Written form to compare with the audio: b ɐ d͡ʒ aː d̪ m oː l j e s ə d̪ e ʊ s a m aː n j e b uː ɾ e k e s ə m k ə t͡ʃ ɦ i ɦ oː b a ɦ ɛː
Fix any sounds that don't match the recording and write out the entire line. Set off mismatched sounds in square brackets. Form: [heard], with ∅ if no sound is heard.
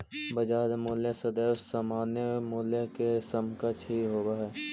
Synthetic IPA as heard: b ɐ d͡ʒ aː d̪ m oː l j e s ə d̪ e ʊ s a m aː n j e [m] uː [l] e k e s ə m k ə t͡ʃ ɦ i ɦ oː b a ɦ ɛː